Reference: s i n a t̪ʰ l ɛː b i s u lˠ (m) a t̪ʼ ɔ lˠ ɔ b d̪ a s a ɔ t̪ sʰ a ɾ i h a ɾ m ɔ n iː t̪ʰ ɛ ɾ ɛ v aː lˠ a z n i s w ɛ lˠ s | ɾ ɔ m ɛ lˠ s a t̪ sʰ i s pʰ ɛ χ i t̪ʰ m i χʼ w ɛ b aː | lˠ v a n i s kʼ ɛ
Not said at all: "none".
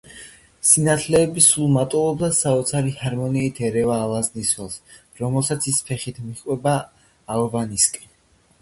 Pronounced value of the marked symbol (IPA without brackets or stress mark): m